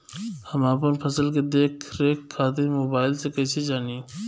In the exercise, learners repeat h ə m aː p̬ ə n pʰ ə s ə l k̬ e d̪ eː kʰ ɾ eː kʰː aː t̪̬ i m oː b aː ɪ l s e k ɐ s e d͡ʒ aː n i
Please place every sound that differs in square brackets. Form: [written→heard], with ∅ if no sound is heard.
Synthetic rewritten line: h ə m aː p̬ ə n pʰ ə s ə l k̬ e d̪ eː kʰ ɾ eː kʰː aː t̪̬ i m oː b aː ɪ l s e k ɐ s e d͡ʒ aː n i